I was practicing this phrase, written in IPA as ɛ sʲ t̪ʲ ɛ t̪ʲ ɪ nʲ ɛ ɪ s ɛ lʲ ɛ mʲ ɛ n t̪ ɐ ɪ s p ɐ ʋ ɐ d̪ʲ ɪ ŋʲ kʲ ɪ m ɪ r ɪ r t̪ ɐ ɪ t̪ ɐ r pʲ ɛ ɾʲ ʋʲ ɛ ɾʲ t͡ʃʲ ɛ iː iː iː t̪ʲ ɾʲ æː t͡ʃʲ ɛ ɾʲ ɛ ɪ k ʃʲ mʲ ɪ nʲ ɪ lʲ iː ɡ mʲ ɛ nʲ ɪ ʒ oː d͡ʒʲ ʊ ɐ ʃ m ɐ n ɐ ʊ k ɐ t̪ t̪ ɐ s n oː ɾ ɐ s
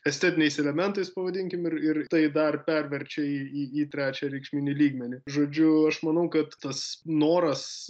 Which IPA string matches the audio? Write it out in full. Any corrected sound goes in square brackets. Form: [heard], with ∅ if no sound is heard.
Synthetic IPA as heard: ɛ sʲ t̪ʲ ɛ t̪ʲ ɪ nʲ ɛ ɪ s ɛ lʲ ɛ mʲ ɛ n t̪ ɐ ɪ s p ɐ ʋ ɐ d̪ʲ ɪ ŋʲ kʲ ɪ m ɪ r ɪ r t̪ ɐ ɪ [d̪] ɐ r pʲ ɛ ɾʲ ʋʲ ɛ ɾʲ t͡ʃʲ ɛ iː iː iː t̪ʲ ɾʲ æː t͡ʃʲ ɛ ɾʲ ɛ ɪ k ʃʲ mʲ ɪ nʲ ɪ lʲ iː ɡ mʲ ɛ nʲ ɪ ʒ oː d͡ʒʲ ʊ ɐ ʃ m ɐ n ɐ ʊ k ɐ t̪ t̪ ɐ s n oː ɾ ɐ s